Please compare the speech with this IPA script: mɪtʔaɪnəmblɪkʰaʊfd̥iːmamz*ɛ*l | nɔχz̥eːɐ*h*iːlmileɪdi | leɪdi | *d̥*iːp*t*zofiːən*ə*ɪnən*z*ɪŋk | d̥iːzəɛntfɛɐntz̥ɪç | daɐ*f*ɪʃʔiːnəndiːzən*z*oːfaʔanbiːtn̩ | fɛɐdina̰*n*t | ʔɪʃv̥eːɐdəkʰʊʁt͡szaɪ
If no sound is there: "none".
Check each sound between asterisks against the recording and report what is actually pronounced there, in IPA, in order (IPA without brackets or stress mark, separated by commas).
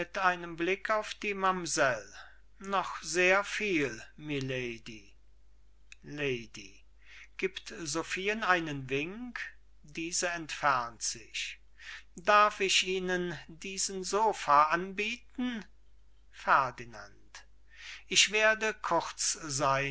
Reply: ɛ, f, ɡ̥, t, a, v, f, z, n